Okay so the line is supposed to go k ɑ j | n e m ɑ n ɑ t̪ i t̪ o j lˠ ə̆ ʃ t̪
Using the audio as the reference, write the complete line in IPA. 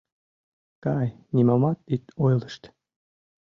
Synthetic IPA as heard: k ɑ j | n i m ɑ m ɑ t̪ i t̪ o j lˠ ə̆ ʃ t̪